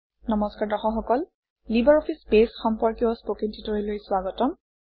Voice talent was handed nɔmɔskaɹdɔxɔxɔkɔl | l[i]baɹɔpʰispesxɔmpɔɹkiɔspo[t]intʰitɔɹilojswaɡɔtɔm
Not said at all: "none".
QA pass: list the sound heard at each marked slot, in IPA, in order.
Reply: i, k

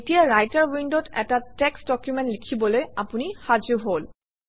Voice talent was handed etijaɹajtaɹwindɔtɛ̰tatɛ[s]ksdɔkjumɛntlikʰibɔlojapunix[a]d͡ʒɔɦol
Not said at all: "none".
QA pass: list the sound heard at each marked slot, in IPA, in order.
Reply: none, a

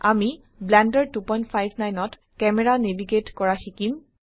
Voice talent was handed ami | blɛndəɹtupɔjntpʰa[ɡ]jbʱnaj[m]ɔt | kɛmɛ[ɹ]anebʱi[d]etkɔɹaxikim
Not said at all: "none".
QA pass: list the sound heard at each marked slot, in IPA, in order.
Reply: none, n, ɹ, ɡ

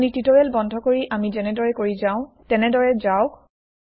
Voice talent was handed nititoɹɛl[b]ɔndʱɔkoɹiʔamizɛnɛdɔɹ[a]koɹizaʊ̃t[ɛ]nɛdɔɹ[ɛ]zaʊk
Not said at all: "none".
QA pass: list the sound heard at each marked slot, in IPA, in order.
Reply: b, ɛ, ɛ, ɛ

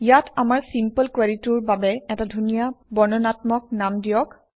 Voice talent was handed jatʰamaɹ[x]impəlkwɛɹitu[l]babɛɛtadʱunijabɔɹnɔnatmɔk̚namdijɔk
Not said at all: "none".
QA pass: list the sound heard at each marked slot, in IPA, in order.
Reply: s, ɹ

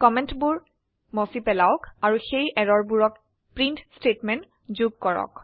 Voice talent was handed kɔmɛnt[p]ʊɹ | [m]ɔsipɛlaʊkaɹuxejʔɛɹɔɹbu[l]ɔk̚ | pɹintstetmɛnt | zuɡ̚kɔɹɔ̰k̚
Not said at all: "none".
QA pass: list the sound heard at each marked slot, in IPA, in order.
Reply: b, m, ɹ

